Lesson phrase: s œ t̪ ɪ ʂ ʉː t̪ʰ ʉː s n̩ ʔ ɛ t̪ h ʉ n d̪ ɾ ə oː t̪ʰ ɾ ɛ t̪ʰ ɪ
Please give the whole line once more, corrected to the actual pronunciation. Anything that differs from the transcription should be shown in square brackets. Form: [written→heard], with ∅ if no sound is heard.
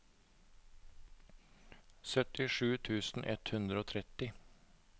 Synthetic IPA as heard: s œ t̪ ɪ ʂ ʉː t̪ʰ ʉː s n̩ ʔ ɛ t̪ h ʉ n d̪ ɾ ə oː t̪ʰ ɾ ɛ [t̪ʰ→t̪] ɪ